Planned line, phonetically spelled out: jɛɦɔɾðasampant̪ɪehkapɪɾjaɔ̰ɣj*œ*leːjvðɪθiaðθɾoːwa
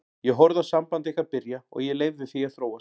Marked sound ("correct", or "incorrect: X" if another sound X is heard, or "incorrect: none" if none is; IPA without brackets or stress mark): incorrect: ɛ